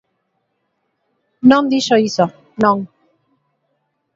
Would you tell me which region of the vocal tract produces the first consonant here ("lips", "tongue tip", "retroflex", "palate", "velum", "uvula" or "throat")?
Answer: tongue tip